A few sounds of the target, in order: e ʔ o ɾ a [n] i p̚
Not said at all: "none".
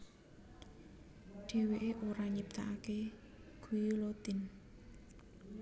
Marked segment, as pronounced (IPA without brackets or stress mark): ɲ